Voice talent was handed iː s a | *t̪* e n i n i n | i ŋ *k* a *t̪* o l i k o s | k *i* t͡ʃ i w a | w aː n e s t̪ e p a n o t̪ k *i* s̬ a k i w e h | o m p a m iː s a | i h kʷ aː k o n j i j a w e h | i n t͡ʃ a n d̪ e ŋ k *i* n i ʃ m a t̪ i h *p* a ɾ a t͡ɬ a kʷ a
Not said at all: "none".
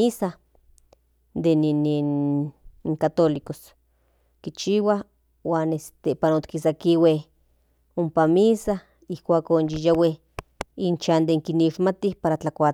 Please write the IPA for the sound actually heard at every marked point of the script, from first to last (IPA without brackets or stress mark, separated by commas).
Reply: d̪, k, t̪, i, i, i, p